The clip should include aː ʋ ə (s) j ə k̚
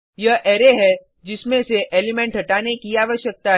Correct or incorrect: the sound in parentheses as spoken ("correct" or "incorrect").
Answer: incorrect